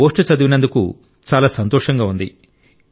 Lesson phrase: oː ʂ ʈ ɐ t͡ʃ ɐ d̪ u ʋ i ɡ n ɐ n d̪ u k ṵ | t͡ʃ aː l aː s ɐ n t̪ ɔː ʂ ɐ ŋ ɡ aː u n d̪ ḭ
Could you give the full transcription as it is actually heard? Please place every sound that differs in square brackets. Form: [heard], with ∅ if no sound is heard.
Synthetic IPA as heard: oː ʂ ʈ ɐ t͡ʃ ɐ d̪ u ʋ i [∅] n ɐ n d̪ u k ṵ | t͡ʃ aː l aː s ɐ n t̪ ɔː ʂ ɐ ŋ ɡ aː u n d̪ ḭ